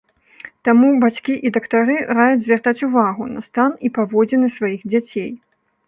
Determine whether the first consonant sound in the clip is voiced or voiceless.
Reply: voiceless